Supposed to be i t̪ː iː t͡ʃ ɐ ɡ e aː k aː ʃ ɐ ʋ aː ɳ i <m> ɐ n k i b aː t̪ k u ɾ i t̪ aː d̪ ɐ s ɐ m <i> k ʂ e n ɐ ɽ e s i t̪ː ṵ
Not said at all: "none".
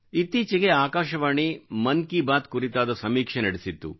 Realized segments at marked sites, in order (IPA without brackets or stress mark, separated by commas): m, iː